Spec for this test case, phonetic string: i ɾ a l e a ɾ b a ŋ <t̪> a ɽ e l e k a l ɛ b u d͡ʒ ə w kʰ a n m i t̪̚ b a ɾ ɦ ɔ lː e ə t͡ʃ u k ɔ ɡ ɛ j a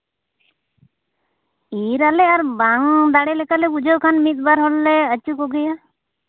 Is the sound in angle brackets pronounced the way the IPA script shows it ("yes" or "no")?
no